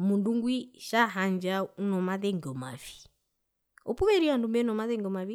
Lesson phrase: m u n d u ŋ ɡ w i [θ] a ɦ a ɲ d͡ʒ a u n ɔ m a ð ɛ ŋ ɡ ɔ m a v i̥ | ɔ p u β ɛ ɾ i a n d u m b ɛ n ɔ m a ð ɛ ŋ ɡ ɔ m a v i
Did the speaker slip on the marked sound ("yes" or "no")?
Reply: yes